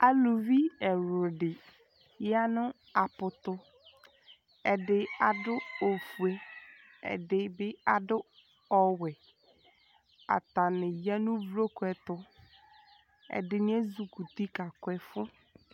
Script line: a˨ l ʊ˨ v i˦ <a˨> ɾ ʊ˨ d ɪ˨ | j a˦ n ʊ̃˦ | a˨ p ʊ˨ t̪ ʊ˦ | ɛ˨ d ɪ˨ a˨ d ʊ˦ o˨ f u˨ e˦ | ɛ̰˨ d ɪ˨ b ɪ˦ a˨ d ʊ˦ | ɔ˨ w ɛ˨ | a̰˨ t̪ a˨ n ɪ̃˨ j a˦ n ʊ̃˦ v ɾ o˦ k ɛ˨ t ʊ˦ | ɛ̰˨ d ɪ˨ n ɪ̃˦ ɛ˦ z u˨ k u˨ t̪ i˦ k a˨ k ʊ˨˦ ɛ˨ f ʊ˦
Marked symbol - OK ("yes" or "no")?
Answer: no